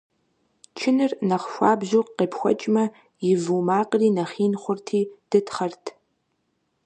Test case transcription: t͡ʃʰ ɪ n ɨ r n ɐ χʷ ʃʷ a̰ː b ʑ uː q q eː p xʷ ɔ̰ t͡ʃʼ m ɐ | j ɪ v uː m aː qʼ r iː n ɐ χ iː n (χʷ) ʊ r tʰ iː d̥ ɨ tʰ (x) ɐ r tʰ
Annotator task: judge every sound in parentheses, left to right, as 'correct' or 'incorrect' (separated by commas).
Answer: correct, incorrect